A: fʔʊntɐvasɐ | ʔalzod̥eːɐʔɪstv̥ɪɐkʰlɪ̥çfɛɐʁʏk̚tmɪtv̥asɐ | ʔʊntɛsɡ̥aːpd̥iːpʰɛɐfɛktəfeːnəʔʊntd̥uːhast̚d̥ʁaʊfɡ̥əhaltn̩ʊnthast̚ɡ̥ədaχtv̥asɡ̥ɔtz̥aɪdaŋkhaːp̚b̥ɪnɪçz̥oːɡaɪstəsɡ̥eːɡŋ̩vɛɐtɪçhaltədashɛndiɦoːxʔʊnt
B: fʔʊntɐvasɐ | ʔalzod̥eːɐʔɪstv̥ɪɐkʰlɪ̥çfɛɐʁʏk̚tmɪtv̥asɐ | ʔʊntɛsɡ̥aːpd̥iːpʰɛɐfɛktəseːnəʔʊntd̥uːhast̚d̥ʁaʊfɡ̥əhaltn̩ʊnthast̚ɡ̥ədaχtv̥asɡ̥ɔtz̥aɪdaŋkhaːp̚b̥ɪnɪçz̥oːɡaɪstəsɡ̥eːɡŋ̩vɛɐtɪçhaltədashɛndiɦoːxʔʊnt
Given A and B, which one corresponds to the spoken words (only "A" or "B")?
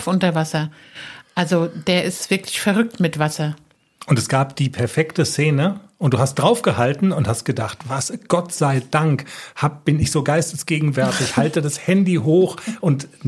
B